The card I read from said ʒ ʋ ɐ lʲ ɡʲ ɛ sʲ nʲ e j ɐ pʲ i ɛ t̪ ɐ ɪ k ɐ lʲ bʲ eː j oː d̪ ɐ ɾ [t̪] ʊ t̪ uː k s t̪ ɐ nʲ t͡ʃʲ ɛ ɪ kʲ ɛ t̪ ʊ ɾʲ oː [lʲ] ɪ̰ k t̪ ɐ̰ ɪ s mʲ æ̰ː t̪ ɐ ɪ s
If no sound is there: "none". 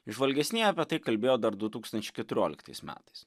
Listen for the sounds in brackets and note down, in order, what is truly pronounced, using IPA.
d̪, lʲ

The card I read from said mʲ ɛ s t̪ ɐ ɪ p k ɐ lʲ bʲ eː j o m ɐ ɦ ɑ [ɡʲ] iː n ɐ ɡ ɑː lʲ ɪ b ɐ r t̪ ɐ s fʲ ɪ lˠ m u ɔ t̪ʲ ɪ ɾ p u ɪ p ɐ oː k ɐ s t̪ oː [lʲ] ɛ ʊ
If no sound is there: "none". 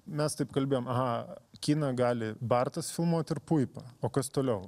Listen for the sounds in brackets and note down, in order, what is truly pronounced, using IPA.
kʲ, lʲ

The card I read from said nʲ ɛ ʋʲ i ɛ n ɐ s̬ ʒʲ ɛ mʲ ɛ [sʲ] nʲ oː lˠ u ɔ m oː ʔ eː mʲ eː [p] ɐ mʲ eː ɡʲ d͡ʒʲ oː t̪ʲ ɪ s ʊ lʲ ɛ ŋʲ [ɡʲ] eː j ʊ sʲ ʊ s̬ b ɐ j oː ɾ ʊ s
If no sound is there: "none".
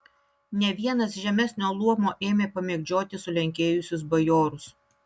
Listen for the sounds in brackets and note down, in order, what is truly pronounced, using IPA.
sʲ, p, kʲ

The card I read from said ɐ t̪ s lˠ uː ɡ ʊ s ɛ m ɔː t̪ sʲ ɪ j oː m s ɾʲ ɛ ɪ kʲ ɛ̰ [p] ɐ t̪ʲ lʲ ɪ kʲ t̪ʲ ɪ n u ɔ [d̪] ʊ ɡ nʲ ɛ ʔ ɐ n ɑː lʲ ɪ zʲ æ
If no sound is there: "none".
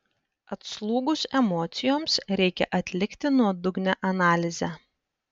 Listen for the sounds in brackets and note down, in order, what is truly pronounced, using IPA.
ʔ, d̪

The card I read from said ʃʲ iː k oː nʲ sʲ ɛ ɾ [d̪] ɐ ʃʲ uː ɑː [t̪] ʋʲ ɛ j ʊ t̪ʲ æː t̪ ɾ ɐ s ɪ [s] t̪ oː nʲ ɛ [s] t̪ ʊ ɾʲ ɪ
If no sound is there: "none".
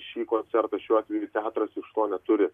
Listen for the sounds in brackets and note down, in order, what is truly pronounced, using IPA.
t̪, t̪, ʃ, none

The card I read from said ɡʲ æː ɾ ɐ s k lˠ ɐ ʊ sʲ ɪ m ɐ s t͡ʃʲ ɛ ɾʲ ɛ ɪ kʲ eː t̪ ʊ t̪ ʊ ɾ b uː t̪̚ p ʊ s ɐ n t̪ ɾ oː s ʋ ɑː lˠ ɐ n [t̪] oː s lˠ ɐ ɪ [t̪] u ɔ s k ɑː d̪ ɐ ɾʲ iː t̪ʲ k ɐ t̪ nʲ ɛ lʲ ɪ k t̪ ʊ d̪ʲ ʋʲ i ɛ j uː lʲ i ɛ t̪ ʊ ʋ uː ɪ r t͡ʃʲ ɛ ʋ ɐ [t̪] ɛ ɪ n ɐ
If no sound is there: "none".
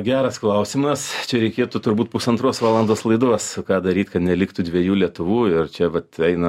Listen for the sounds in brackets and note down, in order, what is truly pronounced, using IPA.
d̪, d̪, t̪

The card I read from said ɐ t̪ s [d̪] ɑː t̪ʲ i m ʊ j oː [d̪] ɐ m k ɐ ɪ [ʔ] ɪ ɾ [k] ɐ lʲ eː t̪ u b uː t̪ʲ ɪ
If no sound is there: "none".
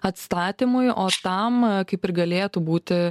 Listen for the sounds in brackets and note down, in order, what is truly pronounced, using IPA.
t̪, t̪, p, ɡ

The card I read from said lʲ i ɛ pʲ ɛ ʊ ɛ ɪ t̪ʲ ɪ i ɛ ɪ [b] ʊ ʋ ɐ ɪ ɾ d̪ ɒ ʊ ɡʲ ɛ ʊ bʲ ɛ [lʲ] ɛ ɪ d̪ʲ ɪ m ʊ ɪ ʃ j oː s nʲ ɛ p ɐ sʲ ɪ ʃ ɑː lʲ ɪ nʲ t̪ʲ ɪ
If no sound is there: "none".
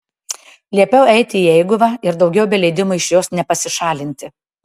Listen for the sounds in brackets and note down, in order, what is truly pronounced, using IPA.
ɡ, lʲ

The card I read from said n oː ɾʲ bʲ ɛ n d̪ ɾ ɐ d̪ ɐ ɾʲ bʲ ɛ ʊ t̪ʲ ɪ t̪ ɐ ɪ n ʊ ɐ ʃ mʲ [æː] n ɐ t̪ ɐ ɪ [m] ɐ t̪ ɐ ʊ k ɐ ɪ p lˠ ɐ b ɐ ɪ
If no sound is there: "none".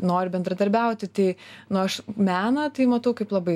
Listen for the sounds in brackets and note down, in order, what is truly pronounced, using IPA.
æː, m

